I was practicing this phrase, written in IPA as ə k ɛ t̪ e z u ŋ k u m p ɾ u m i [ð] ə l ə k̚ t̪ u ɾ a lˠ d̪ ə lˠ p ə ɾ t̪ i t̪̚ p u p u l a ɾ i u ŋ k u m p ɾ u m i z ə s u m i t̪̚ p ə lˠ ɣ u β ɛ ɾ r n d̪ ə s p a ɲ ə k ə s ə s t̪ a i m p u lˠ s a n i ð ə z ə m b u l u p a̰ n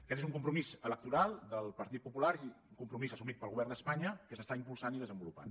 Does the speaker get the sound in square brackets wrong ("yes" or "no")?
yes